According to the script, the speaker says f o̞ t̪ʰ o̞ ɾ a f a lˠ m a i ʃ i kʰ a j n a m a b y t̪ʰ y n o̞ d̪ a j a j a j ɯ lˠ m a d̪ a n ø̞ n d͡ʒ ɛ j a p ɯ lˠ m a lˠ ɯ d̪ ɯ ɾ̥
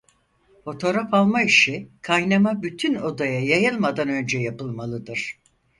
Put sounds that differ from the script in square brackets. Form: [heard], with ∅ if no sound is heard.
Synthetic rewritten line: f o̞ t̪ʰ o̞ ɾ a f a lˠ m a i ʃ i kʰ a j n a m a b y t̪ʰ y n o̞ d̪ a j a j a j ɯ lˠ m a d̪ a n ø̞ n d͡ʒ ɛ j a p ɯ lˠ m a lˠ ɯ d̪ ɯ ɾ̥

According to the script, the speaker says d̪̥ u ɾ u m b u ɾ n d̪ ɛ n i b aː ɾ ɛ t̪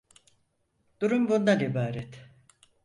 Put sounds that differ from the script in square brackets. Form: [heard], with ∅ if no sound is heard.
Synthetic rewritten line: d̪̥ u ɾ u m b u [∅] n d̪ [a] n i b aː ɾ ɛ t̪

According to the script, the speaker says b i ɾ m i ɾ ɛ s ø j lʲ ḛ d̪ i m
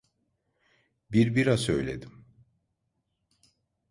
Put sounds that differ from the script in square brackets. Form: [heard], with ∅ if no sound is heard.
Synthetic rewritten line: b i ɾ [b] i ɾ [a] s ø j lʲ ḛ d̪ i m

